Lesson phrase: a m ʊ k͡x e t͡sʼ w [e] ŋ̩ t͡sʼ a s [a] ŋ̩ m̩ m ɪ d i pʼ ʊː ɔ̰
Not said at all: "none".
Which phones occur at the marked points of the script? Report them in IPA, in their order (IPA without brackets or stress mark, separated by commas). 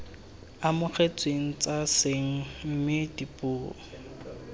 e, e